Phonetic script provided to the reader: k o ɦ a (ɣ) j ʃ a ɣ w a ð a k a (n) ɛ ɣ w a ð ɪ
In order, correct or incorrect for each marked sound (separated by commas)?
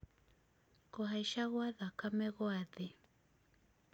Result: incorrect, incorrect